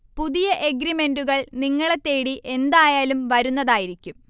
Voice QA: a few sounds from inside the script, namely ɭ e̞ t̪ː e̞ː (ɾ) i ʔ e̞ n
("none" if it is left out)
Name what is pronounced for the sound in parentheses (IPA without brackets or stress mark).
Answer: ɽ